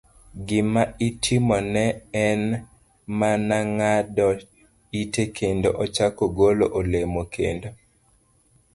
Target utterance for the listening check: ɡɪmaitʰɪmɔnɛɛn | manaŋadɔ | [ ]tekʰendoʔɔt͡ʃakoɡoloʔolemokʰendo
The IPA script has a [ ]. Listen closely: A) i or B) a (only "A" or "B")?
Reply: A